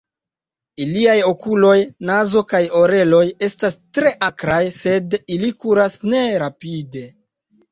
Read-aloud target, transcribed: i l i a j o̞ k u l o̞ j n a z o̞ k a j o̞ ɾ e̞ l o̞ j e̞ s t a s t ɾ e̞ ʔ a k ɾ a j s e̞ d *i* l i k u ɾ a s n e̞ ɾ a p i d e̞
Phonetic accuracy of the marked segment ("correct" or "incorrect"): correct